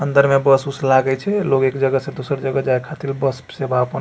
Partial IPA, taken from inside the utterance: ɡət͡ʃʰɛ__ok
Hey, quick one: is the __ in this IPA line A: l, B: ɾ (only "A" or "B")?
A